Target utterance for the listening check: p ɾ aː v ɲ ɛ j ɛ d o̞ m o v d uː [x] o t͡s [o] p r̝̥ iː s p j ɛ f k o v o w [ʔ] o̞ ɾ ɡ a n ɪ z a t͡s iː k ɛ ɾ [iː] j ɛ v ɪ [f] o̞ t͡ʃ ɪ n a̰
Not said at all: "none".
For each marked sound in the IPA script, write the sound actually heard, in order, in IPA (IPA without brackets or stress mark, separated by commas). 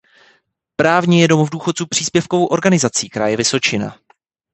x, u, ʔ, aː, s